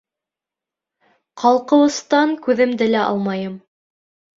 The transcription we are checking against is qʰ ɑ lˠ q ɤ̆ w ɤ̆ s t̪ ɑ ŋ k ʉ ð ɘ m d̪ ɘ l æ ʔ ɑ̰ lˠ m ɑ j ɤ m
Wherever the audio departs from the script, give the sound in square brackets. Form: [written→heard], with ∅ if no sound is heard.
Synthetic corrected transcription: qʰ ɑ lˠ q ɤ̆ w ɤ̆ s t̪ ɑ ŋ k ʉ ð ɘ m d̪ ɘ l æ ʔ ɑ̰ lˠ m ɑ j ɤ m